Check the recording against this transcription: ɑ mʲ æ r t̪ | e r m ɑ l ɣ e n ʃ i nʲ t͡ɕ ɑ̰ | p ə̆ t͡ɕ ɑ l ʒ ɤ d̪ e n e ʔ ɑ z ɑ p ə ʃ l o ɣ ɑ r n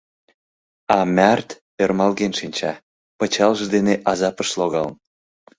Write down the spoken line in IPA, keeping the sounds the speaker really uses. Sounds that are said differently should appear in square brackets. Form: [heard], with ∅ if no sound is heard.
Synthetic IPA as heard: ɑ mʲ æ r t̪ | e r m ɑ l ɣ e n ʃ i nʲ t͡ɕ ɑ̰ | p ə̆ t͡ɕ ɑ l ʒ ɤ d̪ e n e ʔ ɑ z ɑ p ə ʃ l o ɣ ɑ [l] n